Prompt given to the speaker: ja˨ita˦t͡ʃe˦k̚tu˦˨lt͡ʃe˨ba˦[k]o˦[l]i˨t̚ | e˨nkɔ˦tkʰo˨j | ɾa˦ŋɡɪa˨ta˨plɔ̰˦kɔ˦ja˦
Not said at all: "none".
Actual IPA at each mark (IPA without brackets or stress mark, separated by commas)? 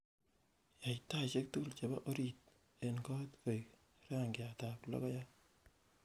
ʔ, ɾ